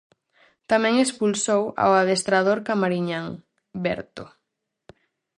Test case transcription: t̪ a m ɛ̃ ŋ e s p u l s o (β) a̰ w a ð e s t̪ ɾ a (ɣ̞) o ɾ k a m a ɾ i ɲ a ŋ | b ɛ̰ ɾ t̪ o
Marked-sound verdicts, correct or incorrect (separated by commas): incorrect, incorrect